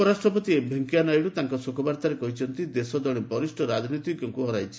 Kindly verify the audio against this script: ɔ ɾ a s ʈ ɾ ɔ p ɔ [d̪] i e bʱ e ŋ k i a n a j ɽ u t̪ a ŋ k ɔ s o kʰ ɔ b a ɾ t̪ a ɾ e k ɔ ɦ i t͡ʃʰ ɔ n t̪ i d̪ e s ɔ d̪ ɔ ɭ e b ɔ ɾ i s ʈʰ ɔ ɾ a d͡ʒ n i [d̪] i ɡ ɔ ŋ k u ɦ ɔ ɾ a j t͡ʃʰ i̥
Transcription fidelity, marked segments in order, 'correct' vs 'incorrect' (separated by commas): incorrect, incorrect